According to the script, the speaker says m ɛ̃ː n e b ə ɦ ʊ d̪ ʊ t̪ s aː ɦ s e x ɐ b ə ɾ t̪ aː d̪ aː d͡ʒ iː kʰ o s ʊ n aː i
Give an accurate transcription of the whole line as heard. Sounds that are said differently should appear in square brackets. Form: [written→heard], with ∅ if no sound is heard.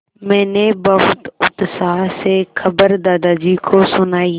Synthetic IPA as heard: m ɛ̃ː n e b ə ɦ ʊ [d̪→t̪] ʊ t̪ s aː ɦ s e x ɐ b ə ɾ [t̪→d̪] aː d̪ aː d͡ʒ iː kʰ o s ʊ n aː i

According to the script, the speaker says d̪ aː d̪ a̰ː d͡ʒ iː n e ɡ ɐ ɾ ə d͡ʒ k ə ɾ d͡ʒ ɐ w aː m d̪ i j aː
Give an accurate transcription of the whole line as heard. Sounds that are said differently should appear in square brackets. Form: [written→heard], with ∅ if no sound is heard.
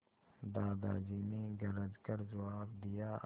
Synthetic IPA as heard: d̪ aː d̪ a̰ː d͡ʒ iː n e ɡ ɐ ɾ ə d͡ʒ k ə ɾ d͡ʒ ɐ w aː [m→b] d̪ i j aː

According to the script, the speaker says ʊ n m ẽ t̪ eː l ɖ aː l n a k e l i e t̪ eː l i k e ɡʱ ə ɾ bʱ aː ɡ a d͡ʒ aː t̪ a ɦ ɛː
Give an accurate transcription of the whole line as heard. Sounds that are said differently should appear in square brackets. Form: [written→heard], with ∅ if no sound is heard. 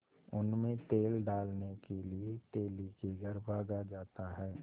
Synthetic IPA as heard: ʊ n m ẽ t̪ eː l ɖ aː l n [a→e] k e l i e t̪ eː l i k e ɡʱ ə ɾ bʱ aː ɡ a d͡ʒ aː t̪ a ɦ ɛː

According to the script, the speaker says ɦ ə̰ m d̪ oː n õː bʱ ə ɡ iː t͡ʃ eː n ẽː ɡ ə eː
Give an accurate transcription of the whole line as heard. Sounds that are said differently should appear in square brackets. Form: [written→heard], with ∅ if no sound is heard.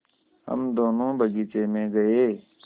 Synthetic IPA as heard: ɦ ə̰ m d̪ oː n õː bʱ ə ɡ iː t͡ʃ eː [n→m] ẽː ɡ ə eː

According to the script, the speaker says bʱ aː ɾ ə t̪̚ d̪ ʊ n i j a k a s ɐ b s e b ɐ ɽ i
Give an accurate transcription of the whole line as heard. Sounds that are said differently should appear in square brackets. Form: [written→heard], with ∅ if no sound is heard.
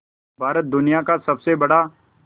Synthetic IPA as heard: bʱ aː ɾ ə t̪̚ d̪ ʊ n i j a k a s ɐ b s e b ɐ ɽ [i→a]

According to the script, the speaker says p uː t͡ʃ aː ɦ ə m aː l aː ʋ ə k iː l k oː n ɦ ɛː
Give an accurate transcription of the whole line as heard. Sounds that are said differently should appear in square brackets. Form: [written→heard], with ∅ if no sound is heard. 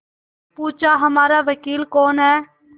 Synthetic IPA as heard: p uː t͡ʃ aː ɦ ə m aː [l→ɾ] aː ʋ ə k iː l k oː n ɦ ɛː

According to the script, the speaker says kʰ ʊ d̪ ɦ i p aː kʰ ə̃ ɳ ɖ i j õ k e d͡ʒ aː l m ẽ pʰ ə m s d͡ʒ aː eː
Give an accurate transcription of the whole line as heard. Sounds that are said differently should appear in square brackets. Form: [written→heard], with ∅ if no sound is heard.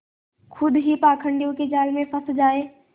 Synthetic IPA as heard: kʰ ʊ d̪ ɦ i p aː kʰ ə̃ ɳ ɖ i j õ k e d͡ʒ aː l m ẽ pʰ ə [m→∅] s d͡ʒ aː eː

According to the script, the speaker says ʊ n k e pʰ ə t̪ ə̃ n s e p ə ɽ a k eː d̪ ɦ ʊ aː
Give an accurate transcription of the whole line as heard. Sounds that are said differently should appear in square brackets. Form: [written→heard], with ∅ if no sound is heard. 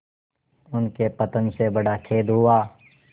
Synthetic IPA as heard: ʊ n k e [pʰ→p] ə t̪ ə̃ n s e [p→b] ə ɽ a [k→kʰ] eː d̪ ɦ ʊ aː

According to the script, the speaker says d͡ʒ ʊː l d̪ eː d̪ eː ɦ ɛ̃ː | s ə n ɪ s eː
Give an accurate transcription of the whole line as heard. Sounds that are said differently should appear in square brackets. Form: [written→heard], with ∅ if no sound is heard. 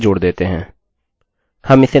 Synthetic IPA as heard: d͡ʒ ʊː [l→ɽ] d̪ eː [d̪→t̪] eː ɦ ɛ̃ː | [s→h] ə [n→m] ɪ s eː

